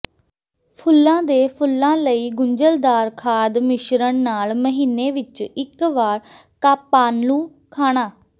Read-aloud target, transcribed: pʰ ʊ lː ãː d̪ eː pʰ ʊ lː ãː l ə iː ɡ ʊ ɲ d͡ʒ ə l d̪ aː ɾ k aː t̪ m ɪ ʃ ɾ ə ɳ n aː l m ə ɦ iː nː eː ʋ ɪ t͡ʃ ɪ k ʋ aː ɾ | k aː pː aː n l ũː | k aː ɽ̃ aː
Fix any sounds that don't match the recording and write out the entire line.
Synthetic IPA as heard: pʰ ʊ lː ãː d̪ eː pʰ ʊ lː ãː l ə iː ɡ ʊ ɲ d͡ʒ ə l d̪ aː ɾ kʰ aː d̪ m ɪ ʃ ɾ ə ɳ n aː l m ə ɦ iː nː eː ʋ ɪ t͡ʃ ɪ k ʋ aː ɾ | k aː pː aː n l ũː | kʰ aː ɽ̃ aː